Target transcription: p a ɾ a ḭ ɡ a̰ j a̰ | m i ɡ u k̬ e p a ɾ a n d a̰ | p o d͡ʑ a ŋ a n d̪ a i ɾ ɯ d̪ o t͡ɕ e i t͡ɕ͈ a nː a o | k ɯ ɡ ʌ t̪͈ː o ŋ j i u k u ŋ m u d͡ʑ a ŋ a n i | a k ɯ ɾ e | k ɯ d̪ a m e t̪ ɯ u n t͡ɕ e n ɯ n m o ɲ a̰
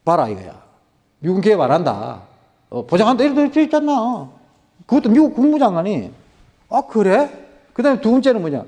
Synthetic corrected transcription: p a ɾ a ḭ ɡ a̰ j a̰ | m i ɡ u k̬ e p a ɾ a n d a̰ | p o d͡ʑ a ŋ a n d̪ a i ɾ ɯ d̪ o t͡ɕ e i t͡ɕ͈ a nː a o | k ɯ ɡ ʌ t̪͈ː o m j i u k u ŋ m u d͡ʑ a ŋ a n i | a k ɯ ɾ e | k ɯ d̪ a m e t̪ u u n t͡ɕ e n ɯ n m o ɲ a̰